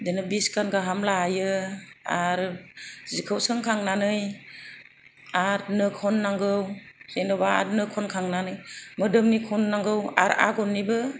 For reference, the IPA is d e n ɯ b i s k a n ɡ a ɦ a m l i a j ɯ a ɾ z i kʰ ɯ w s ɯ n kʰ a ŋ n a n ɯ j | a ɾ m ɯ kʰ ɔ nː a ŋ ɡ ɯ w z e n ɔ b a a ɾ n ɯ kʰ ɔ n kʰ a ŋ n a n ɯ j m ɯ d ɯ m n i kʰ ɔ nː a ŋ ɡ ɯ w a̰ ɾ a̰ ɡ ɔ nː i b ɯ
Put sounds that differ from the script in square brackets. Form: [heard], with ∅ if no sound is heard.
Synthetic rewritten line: d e n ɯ b i s k a n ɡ a ɦ a m l [a] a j ɯ a ɾ z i kʰ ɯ w s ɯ [ŋ] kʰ a ŋ n a n ɯ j | a ɾ [n] ɯ kʰ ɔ nː a ŋ ɡ ɯ w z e n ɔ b a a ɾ n ɯ kʰ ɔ n kʰ a ŋ n a n ɯ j m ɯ d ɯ m n i kʰ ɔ nː a ŋ ɡ ɯ w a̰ ɾ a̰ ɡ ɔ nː i b ɯ